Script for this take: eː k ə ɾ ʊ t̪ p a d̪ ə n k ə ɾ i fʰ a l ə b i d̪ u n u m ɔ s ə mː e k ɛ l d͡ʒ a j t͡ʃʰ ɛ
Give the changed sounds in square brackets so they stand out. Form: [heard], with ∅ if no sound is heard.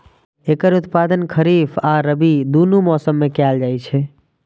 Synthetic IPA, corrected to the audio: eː k ə ɾ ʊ t̪ p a d̪ ə n [kʰ] ə ɾ i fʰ a [ɾ] ə b i d̪ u n u m ɔ s ə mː e k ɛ l d͡ʒ a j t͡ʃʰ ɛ